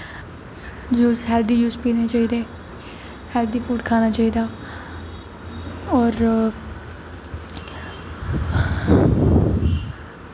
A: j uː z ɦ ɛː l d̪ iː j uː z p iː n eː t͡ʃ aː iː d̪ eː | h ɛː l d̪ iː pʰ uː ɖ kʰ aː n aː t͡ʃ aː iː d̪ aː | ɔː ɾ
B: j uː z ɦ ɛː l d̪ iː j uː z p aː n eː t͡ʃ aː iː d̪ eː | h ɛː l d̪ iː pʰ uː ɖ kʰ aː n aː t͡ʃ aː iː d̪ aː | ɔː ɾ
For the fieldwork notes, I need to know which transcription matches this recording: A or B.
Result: A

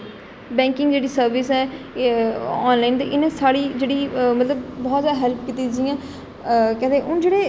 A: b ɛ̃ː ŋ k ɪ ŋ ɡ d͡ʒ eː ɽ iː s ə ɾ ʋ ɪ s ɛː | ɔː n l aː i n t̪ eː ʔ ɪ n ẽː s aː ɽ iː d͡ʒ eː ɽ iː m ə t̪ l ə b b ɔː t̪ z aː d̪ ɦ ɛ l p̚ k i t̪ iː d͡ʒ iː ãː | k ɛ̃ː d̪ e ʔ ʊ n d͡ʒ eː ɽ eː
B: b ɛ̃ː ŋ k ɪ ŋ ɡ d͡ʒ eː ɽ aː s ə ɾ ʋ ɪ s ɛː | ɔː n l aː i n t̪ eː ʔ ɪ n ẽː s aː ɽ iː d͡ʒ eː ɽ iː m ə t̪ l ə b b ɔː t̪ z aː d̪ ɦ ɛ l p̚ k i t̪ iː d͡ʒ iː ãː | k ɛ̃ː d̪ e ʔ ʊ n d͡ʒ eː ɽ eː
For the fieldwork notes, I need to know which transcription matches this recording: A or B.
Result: A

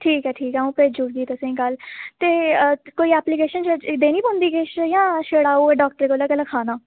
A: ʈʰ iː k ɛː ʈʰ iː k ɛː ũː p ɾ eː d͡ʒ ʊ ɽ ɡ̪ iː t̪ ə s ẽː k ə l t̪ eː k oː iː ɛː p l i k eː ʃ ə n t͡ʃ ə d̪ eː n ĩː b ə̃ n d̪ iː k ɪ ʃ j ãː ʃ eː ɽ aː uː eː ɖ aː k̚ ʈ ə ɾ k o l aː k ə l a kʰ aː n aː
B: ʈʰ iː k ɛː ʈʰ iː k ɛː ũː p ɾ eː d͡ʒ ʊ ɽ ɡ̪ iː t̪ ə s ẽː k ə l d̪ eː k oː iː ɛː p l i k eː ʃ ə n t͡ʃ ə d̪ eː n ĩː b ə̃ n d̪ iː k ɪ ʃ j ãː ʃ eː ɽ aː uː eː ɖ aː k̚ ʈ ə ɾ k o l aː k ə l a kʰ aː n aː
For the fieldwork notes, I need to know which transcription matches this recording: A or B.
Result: A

